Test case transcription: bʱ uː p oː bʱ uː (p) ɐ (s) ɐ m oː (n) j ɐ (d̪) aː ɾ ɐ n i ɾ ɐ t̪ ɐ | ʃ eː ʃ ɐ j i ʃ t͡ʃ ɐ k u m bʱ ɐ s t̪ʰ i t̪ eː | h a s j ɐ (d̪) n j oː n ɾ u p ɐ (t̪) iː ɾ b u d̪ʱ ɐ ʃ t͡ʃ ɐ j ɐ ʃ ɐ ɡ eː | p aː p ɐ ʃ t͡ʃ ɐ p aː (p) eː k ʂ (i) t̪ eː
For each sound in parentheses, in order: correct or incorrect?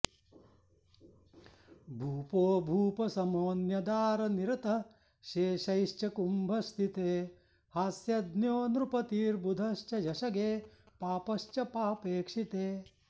correct, correct, correct, correct, correct, correct, correct, correct

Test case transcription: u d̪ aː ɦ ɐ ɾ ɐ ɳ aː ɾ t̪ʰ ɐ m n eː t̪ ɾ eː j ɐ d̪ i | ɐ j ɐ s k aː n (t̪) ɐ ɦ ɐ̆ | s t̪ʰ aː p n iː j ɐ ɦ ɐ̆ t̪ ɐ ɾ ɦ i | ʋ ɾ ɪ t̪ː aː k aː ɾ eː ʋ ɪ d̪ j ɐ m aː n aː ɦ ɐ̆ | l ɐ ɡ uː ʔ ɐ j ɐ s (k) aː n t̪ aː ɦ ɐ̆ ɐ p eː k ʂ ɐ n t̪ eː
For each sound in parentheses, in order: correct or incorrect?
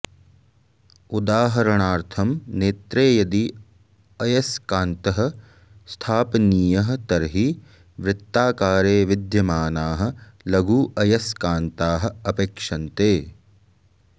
correct, correct

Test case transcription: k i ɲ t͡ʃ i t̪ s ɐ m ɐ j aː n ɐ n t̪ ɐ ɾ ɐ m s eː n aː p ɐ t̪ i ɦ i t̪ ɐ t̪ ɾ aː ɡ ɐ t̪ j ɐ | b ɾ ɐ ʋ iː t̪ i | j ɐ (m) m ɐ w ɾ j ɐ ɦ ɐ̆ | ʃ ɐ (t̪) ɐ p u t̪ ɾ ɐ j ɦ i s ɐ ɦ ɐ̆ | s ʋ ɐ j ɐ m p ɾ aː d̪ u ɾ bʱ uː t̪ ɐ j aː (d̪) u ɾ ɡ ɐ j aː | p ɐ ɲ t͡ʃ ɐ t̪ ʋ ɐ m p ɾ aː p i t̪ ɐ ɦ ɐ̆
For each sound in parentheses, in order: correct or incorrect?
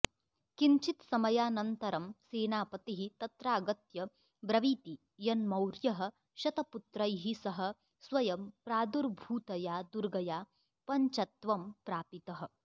incorrect: n, correct, correct

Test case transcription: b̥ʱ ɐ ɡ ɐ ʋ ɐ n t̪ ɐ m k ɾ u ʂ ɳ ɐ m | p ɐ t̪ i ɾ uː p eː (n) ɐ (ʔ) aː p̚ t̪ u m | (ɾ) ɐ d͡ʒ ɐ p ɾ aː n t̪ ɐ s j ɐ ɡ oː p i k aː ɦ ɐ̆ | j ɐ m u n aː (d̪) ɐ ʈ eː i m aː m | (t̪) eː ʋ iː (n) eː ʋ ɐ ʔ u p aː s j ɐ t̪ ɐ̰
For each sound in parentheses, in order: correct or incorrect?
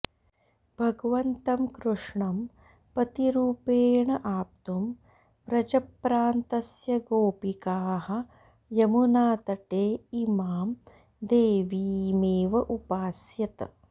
incorrect: ɳ, correct, correct, incorrect: t̪, incorrect: d̪, incorrect: m

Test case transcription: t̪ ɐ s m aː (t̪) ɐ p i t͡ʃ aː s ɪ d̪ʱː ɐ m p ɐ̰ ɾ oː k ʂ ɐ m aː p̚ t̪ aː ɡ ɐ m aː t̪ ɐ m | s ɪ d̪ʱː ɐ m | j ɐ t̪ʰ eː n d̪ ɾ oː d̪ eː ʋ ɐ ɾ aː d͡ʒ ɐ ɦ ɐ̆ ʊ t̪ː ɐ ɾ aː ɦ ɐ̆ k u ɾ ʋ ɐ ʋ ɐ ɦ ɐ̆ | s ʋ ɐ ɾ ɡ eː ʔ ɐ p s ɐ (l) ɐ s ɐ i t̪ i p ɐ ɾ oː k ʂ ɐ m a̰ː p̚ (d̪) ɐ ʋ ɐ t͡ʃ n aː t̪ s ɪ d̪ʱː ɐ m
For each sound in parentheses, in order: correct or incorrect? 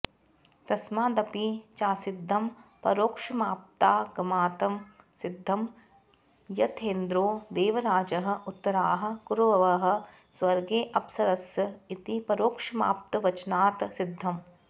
incorrect: d̪, incorrect: ɾ, incorrect: t̪

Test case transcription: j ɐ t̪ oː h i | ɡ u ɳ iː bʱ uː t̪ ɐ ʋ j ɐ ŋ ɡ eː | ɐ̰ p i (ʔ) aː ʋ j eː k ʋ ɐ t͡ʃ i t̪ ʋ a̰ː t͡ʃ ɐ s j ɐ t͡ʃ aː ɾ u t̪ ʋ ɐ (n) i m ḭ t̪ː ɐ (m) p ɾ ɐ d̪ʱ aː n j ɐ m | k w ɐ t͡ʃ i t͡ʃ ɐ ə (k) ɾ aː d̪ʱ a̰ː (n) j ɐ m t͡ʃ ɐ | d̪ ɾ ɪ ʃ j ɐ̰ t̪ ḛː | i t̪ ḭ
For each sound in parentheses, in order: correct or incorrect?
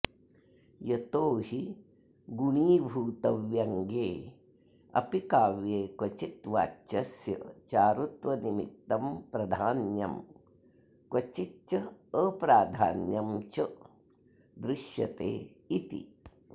incorrect: k, correct, correct, incorrect: p, correct

